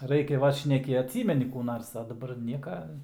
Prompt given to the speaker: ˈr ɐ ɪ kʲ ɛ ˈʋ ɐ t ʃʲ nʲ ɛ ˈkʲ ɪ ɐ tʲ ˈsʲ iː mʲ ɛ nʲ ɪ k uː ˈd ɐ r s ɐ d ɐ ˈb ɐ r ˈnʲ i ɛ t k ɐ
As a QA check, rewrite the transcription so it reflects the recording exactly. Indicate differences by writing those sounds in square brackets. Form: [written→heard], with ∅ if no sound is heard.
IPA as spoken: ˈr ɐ ɪ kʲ ɛ ˈʋ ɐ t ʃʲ nʲ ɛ ˈkʲ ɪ ɐ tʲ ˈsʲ iː mʲ ɛ nʲ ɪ k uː [ˈd→ˈn] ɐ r s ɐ d ɐ ˈb ɐ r ˈnʲ i ɛ [t→∅] k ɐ